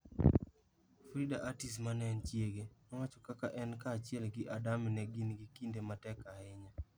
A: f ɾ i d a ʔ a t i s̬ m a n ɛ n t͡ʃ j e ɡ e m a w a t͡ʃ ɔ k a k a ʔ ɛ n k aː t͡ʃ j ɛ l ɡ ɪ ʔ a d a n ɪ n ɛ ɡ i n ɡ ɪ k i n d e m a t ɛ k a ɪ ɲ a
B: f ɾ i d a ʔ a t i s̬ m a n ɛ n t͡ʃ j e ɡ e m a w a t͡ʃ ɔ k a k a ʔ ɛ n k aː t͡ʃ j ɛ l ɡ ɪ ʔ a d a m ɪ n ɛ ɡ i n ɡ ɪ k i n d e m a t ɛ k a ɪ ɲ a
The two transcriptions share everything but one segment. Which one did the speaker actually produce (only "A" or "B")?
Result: B